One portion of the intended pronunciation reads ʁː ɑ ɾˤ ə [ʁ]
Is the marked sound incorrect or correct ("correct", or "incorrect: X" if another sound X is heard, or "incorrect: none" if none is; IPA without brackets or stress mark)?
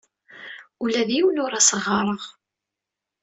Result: correct